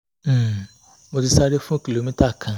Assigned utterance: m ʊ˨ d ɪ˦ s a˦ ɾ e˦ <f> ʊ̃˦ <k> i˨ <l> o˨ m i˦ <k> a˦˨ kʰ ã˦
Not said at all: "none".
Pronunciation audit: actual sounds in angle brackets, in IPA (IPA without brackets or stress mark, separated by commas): f, k, l, t